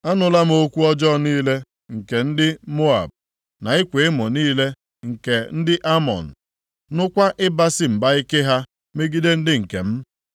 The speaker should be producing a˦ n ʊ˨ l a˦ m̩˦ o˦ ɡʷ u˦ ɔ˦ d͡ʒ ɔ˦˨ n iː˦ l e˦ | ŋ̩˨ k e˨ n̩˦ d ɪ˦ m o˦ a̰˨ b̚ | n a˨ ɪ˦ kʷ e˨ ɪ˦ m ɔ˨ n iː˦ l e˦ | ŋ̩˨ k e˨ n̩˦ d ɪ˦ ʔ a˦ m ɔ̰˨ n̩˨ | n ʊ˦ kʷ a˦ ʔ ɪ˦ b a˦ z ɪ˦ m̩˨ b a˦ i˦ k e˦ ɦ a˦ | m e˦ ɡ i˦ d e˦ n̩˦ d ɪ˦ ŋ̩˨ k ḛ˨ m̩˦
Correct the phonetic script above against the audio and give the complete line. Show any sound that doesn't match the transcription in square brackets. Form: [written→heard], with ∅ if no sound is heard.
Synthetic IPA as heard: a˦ n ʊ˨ l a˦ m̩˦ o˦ [ɡʷ→kʷ] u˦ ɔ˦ d͡ʒ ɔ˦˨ n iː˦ l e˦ | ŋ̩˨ k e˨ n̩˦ d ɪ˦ m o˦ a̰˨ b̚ | n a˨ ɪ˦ kʷ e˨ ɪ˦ m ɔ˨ n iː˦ l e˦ | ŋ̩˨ k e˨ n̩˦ d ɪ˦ ʔ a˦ m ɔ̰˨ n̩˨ | n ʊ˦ kʷ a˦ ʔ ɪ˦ b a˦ [z→s] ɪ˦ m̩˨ b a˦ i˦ k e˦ ɦ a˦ | m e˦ ɡ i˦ d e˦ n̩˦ d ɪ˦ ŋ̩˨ k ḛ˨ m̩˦